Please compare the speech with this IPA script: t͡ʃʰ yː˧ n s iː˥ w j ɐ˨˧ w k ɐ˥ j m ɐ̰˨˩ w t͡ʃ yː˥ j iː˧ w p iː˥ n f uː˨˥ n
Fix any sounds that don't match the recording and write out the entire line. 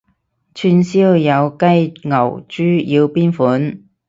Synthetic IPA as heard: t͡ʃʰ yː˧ n s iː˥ w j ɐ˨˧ w k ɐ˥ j ŋ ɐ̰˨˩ w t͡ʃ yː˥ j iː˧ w p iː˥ n f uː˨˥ n